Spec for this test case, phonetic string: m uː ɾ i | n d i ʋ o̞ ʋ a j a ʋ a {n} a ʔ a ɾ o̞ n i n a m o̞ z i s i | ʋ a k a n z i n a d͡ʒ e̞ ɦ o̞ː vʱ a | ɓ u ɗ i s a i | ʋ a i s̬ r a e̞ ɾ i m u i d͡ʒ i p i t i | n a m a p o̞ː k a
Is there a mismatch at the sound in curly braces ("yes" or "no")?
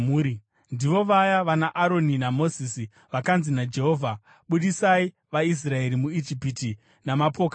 no